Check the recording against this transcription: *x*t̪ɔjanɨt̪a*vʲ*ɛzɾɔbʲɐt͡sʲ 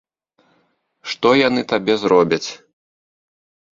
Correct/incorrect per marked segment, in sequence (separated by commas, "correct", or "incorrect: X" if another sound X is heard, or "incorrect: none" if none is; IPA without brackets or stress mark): incorrect: ʂ, incorrect: bʲ